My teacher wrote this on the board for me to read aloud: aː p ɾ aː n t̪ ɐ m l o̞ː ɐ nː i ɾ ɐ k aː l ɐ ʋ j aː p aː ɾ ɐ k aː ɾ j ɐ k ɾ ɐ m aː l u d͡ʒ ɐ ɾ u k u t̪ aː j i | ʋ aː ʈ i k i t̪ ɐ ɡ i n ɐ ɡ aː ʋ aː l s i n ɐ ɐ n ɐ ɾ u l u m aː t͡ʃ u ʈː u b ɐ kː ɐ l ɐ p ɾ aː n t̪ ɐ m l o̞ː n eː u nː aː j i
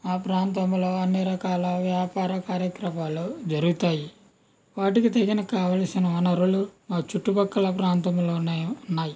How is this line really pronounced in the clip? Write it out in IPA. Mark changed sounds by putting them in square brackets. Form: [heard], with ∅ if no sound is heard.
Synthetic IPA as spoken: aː p ɾ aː n t̪ ɐ m l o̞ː ɐ nː i ɾ ɐ k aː l ɐ ʋ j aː p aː ɾ ɐ k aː ɾ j ɐ k ɾ ɐ m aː l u d͡ʒ ɐ ɾ u [ɡ] u t̪ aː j i | ʋ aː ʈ i k i t̪ ɐ ɡ i n ɐ [k] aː ʋ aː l s i n ɐ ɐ n ɐ ɾ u l u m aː t͡ʃ u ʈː u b ɐ kː ɐ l ɐ p ɾ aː n t̪ ɐ m l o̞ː n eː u nː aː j i